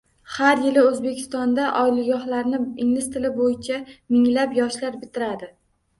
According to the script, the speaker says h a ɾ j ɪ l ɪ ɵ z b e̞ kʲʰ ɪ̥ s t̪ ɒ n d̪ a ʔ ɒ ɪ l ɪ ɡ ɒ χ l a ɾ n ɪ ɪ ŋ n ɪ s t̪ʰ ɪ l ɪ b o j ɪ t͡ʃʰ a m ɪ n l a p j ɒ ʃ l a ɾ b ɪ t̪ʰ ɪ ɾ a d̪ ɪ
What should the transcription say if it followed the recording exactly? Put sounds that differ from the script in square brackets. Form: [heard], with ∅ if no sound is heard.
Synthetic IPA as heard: h a ɾ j ɪ l ɪ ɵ z b e̞ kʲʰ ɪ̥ s t̪ ɒ n d̪ a ʔ ɒ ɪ l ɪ ɡ ɒ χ l a ɾ n ɪ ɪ ŋ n ɪ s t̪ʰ ɪ l ɪ b o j ɪ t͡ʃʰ a m ɪ [ŋ] l a p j ɒ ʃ l a ɾ b ɪ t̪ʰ ɪ ɾ a d̪ ɪ